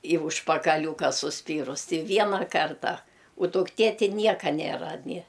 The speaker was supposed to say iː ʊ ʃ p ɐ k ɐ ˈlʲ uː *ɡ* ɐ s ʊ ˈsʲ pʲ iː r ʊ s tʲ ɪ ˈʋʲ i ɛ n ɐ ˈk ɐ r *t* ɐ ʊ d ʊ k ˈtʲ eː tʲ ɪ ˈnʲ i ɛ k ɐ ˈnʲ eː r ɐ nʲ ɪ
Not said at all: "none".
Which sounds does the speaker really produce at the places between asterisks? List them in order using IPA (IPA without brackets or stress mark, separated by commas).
k, t